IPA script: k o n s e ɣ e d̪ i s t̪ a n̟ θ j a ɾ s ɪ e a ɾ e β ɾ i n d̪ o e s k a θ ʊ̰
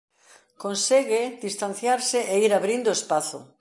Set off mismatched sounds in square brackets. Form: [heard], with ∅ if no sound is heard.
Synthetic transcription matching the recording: k o n s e ɣ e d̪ i s t̪ a n̟ θ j a ɾ s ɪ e [i] ɾ [a] β ɾ i n d̪ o e s [p] a θ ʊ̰